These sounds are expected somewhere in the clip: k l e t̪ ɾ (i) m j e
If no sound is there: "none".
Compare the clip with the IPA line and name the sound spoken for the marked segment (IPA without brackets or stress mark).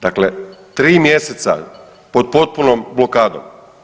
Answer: iː